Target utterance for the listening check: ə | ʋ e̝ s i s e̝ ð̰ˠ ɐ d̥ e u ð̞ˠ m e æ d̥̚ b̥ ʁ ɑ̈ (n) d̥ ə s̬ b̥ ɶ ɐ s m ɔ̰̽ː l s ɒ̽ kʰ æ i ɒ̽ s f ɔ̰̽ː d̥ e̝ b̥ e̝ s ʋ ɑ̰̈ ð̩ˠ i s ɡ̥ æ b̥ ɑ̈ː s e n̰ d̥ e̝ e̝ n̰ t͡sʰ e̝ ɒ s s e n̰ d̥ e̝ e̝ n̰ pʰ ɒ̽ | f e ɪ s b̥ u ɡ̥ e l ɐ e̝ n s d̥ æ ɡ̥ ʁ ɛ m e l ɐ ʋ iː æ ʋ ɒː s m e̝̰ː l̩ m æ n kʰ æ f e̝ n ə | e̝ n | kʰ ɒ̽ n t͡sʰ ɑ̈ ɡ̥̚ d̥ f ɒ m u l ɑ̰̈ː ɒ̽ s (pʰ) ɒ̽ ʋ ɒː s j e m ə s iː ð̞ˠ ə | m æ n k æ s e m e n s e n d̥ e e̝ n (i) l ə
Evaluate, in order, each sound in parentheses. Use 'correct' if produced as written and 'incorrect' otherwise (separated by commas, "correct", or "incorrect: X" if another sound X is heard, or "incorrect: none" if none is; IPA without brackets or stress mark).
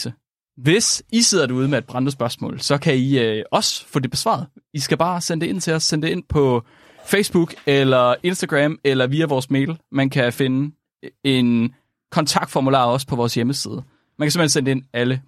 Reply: correct, correct, incorrect: æ